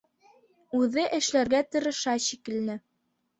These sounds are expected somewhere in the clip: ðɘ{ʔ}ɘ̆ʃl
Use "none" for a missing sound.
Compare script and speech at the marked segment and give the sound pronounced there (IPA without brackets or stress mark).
ʔ